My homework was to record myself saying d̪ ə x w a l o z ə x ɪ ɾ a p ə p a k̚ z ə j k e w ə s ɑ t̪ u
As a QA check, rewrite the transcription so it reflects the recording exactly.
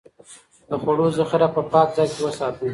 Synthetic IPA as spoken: d̪ ə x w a ɽ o z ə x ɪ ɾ a p ə p ɑ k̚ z ɑ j k e w ə s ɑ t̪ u

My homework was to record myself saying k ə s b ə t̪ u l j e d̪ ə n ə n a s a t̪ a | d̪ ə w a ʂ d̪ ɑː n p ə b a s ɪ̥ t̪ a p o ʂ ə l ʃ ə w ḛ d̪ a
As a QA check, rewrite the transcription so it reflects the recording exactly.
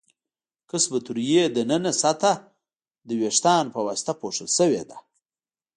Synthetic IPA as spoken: k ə s b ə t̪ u ɾ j e d̪ ə n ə n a s a t̪ a | d̪ ə w e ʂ t̪ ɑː n p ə w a s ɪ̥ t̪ a p o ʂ ə l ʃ ə w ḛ d̪ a

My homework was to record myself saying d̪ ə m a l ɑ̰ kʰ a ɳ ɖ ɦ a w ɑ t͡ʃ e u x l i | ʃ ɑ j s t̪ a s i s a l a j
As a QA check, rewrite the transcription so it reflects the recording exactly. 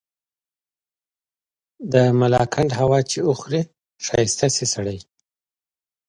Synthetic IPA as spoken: d̪ ə m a l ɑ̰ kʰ a ɳ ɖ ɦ a w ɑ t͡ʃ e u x ɾ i | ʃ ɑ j s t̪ a s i s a ɽ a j

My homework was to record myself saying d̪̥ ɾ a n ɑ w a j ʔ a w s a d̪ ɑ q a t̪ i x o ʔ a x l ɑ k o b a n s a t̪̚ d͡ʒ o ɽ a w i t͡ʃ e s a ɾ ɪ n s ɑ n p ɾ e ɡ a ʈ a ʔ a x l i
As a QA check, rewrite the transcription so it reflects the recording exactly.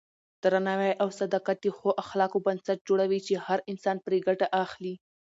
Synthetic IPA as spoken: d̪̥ ɾ a n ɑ w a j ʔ a w s a d̪ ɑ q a t̪ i x o ʔ a x l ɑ k o b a n s a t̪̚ d͡ʒ o ɽ a w i t͡ʃ e h a ɾ ɪ n s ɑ n p ɾ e ɡ a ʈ a ʔ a x l i

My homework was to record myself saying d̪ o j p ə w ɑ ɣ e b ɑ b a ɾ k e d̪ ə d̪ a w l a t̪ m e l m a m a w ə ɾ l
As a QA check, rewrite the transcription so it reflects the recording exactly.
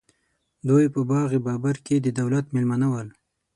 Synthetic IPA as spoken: d̪ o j p ə b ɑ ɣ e b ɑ b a ɾ k e d̪ ə d̪ a w l a t̪ m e l m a n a w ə l

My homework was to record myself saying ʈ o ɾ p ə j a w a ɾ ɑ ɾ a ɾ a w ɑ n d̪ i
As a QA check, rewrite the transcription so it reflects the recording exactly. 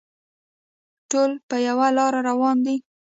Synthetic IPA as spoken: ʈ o l p ə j a w a l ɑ ɾ a ɾ a w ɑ n d̪ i

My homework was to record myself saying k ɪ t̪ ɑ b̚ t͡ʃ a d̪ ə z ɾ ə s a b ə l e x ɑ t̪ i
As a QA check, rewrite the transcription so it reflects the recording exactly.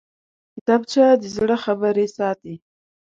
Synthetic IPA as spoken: k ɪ t̪ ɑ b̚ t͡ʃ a d̪ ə z ɽ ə x a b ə ɾ e s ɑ t̪ i

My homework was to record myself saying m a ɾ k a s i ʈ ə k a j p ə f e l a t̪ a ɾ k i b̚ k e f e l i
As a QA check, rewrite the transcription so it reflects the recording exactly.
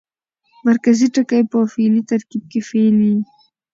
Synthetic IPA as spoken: m a ɾ k a z i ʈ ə k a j p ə f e l i t̪ a ɾ k i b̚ k e f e l i

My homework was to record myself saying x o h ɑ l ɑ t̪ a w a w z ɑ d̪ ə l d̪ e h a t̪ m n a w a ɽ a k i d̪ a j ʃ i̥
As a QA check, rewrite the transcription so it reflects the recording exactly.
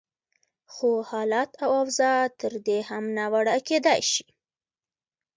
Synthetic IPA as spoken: x o h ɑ l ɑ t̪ a w a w z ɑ t̪ ə ɾ d̪ e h a m n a w a ɽ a k e d̪ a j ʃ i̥

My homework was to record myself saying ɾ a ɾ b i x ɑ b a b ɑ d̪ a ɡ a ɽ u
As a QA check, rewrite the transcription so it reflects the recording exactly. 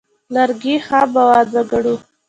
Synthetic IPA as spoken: l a ɾ ɡ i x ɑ b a w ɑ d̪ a ɡ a ɽ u

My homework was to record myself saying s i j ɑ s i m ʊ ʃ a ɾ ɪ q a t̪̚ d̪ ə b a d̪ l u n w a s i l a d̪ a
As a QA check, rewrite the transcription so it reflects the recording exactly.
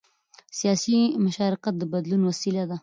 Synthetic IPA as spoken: s i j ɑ s i m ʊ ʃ ɑ ɾ ɪ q a t̪̚ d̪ ə b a d̪ l u n w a s i l a d̪ a

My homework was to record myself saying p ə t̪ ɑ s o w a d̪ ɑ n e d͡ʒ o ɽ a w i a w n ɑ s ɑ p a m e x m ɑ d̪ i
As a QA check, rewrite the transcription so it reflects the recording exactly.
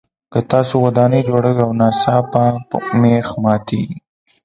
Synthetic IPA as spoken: k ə t̪ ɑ s o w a d̪ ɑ n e d͡ʒ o ɽ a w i a w n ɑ s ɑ p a m e x m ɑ t̪ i

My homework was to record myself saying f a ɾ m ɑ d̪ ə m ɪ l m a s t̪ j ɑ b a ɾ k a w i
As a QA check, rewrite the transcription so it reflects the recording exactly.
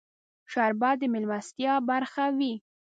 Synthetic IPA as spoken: ʃ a ɾ b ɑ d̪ ə m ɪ l m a s t̪ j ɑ b a ɾ x a w i

